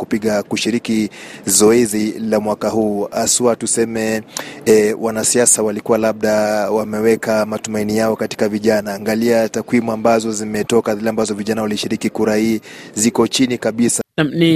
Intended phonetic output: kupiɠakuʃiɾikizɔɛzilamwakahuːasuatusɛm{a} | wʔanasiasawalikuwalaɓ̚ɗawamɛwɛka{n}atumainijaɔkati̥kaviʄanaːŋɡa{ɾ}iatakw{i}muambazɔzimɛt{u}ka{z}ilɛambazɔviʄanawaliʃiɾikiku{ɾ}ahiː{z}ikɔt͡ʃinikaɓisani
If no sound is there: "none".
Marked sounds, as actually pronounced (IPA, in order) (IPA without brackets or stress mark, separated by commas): ɛ, m, l, i, ɔ, ð, ɾ, z